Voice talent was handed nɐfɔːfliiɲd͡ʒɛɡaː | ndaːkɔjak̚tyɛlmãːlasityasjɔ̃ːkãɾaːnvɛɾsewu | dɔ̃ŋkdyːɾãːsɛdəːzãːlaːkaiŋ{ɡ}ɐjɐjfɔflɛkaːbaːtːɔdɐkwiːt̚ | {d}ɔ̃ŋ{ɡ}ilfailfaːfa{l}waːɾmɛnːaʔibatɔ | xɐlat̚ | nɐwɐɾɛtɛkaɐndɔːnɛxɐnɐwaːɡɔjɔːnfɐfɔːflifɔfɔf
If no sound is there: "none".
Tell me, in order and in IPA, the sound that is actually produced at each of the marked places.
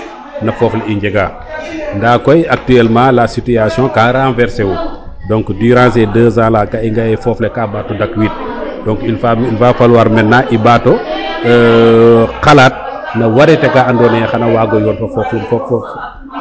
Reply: ɡ, d, k, l

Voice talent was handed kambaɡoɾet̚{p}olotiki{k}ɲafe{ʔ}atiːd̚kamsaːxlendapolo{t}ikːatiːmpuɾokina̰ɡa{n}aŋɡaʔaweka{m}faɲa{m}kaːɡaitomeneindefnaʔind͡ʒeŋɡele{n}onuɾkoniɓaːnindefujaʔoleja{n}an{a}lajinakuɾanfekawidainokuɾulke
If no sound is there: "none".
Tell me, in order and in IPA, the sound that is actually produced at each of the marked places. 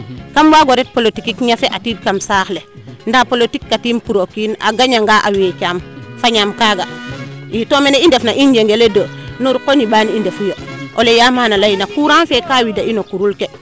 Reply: p, k, ʔ, t, ɲ, m, m, d, m, a

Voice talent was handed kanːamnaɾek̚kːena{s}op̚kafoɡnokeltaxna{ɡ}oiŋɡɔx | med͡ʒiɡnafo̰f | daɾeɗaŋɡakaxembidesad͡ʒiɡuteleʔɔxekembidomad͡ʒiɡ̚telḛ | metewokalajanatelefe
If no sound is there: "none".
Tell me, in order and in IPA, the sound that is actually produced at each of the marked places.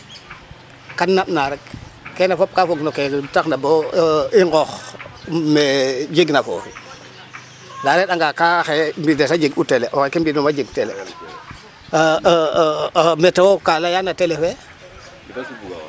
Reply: f, b

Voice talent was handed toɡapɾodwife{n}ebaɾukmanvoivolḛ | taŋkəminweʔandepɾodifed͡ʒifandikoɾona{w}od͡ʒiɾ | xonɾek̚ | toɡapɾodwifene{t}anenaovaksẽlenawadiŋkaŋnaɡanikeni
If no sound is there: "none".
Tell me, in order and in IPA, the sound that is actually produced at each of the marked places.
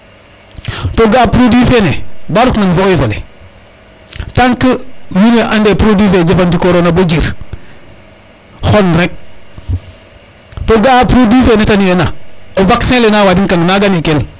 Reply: n, b, t

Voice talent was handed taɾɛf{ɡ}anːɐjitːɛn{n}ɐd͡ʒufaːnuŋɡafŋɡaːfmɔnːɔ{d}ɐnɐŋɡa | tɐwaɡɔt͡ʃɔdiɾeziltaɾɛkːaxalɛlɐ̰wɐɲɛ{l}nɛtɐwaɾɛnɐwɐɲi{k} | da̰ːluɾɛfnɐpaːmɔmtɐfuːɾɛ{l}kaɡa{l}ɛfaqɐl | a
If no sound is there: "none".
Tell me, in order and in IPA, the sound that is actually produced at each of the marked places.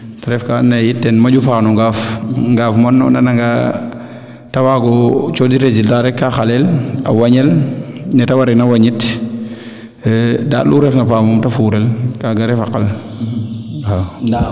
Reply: k, m, n, l, t, l, ɾ

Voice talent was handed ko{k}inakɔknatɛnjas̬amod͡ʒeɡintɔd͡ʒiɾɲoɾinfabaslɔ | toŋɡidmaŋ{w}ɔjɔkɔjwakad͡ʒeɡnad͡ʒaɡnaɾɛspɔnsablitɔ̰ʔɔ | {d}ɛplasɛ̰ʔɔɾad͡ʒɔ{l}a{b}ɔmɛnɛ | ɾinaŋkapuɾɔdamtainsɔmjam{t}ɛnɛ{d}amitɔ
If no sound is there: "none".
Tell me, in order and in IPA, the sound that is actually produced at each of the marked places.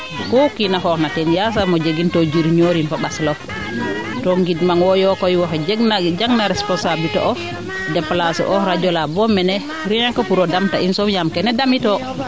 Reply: k, w, d, l, b, k, d

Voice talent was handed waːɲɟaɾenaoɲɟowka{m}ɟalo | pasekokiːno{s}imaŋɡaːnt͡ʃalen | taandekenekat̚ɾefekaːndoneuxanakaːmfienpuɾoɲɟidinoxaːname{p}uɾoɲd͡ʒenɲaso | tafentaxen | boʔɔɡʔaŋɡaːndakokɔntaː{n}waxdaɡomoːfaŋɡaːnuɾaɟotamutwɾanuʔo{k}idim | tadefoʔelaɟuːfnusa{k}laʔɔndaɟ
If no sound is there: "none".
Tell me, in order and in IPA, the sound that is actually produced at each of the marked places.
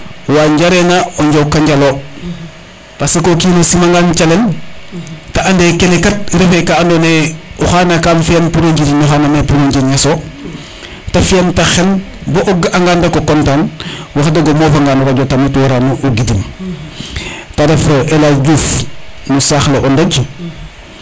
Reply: ɲ, s, p, n, ɡ, x

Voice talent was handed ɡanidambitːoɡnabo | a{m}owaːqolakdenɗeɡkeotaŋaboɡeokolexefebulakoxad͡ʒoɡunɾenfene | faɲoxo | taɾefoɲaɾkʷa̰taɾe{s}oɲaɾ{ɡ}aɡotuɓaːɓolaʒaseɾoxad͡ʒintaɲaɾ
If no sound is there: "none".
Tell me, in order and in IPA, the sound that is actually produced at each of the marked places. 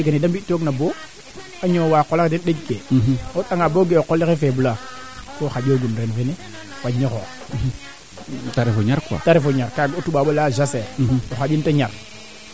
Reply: ɲ, f, k

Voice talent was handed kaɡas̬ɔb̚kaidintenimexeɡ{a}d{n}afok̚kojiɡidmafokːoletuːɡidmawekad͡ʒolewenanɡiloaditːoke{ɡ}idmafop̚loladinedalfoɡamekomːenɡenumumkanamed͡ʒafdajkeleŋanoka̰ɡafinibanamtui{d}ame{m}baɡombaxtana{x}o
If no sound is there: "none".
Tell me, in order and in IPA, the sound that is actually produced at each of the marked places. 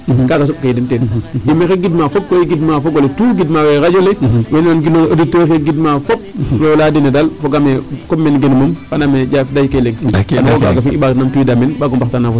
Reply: i, m, ɡ, d, n, f

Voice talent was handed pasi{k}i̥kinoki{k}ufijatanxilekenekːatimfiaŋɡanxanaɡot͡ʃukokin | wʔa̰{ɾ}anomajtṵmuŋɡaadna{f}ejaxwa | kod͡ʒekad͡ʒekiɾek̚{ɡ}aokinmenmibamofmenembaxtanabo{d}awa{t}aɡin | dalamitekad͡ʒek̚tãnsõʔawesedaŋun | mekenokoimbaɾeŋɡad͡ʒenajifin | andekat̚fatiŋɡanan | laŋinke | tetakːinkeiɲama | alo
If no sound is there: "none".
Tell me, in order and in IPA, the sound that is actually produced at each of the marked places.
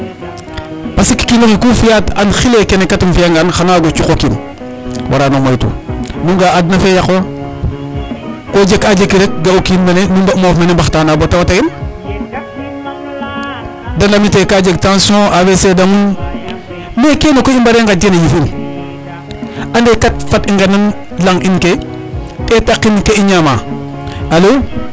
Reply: k, k, ɾ, f, ɡ, t, t

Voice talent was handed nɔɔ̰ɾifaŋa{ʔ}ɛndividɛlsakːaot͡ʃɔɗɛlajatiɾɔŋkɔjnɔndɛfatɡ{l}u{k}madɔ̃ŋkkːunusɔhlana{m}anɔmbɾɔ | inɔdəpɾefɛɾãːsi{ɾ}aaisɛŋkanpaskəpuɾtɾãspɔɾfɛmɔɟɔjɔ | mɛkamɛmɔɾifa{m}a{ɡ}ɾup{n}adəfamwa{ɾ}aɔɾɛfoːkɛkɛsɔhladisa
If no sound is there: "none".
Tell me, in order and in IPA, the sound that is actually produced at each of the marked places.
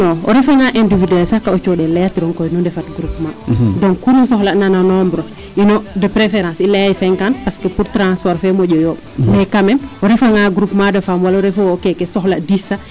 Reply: ʔ, ɾ, p, n, l, ŋ, ɡ, m, l

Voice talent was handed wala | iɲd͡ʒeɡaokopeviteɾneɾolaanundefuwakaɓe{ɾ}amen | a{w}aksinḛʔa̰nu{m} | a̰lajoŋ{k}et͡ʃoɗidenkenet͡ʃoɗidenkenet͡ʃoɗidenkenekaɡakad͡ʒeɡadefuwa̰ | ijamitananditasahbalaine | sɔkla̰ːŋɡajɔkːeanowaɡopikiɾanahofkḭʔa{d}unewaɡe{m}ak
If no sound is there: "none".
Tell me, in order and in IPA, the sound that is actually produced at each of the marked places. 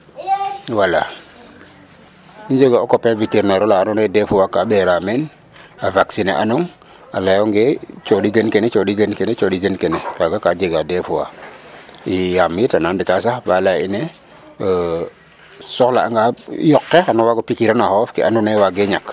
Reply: ɾ, v, ŋ, ɡ, n, ɲ

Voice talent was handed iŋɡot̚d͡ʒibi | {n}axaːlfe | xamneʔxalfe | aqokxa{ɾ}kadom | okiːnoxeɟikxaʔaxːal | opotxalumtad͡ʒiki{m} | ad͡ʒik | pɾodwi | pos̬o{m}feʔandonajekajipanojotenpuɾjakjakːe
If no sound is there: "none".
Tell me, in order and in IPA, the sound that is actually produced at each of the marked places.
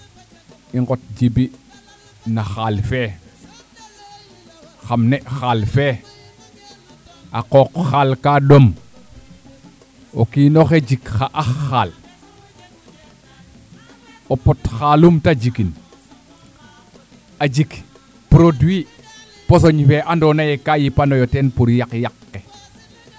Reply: n, l, n, ɲ

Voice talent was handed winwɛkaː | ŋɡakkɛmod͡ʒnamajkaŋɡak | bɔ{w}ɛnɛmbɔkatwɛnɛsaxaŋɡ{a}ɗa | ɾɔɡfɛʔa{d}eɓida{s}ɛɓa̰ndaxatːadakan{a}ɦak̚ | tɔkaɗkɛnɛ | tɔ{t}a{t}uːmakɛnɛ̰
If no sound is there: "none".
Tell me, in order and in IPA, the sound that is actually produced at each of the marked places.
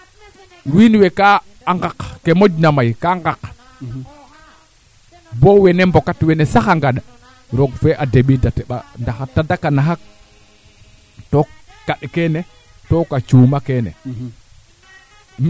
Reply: w, a, d, t, a, k, t͡ʃ

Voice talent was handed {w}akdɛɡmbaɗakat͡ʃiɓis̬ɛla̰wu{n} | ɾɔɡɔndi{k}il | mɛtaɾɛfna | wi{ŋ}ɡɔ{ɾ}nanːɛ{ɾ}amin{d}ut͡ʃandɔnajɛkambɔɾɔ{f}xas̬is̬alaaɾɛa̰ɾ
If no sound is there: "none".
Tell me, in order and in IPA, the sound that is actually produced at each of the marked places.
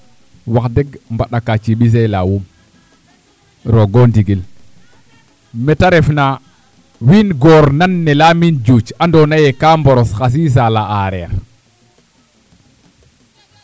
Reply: w, m, ɡ, n, ɾ, l, d͡ʒ, s

